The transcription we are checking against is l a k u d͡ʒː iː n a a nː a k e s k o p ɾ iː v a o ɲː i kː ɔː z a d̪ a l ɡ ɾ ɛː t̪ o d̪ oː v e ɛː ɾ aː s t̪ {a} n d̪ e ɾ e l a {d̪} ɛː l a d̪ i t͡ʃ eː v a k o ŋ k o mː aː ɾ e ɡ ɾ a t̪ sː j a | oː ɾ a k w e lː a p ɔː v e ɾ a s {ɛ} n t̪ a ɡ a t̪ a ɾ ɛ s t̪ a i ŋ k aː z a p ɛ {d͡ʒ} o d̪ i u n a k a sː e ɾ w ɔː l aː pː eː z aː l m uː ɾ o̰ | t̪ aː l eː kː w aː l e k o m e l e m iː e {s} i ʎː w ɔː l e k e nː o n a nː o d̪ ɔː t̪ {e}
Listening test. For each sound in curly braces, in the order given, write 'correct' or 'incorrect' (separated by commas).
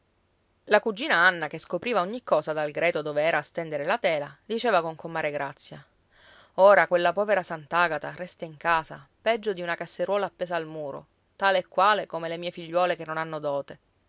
incorrect, incorrect, incorrect, incorrect, incorrect, correct